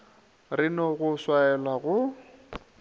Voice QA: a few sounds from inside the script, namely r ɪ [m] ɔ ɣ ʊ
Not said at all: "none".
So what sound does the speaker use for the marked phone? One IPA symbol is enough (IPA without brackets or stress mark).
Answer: n